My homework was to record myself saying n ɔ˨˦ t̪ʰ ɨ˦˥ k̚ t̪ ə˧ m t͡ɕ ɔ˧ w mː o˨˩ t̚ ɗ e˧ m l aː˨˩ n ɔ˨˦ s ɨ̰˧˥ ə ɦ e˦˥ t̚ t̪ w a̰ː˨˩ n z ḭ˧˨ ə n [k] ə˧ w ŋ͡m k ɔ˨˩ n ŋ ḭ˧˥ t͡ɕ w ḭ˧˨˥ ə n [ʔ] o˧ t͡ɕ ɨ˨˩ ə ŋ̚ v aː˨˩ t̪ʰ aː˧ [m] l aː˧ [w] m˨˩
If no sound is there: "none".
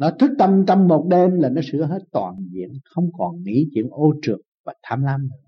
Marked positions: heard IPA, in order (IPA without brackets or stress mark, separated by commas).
x, ʔ, m, none